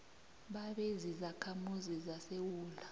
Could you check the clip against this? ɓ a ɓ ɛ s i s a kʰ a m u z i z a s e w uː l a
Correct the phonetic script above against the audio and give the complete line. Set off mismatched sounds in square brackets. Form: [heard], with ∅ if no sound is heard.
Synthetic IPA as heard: ɓ a ɓ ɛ [z] i [z] a kʰ a m u z i z a s e w uː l a